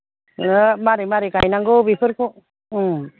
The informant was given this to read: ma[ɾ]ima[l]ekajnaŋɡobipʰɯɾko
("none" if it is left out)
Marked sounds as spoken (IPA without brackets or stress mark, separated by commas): ɾ, ɾ